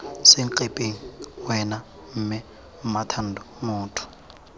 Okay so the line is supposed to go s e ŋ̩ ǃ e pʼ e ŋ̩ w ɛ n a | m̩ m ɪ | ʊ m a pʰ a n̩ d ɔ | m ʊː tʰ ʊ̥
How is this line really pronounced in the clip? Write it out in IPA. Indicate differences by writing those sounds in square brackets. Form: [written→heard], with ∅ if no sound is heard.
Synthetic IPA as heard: s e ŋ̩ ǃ e pʼ e ŋ̩ w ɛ n a | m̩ m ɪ | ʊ m a [pʰ→tʰ] a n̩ d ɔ | m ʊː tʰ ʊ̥